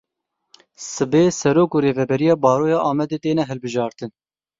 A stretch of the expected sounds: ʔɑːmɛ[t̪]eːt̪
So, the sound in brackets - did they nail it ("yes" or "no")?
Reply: no